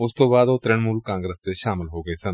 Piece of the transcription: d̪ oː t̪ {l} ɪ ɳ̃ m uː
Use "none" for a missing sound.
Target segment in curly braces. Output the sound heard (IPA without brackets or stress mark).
ɾ